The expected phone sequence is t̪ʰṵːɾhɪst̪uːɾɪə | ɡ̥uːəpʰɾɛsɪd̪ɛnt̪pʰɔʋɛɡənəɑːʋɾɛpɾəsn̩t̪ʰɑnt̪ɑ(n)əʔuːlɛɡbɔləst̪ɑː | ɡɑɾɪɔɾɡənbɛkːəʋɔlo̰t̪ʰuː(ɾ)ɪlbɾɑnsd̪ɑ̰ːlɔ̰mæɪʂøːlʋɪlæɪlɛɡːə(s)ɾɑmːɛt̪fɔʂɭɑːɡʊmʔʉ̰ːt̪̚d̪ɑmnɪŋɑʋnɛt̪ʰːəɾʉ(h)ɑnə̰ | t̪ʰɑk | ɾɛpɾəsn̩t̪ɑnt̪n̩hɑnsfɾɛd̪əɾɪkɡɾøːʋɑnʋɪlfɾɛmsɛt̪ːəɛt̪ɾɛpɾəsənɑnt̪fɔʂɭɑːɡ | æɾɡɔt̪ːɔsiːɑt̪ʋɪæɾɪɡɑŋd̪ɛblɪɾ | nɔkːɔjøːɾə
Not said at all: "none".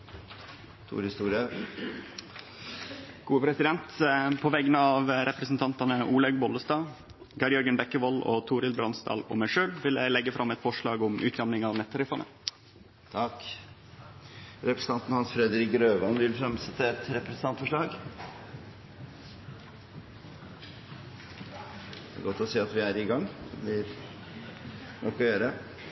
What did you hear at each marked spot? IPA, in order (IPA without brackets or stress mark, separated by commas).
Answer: n, ɾ, f, f